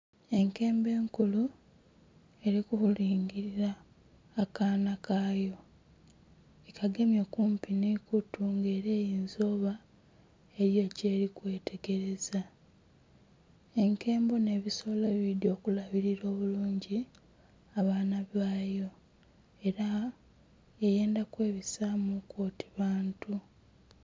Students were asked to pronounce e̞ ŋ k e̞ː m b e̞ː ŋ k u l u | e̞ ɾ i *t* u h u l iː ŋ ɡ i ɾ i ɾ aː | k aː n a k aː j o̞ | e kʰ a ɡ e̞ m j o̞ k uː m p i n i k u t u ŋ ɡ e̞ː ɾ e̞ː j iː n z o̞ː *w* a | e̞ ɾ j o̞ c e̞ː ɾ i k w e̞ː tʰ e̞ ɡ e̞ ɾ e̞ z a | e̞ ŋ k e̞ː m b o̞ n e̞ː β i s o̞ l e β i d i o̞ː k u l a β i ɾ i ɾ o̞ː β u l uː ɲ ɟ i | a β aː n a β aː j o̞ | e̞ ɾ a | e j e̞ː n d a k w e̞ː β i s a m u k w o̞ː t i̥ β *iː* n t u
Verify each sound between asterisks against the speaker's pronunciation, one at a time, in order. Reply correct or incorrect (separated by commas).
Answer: incorrect, incorrect, incorrect